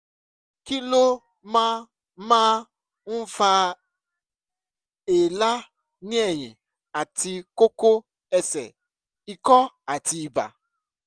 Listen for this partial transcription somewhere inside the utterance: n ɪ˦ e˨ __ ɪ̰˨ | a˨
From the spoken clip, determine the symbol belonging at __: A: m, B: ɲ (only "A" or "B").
B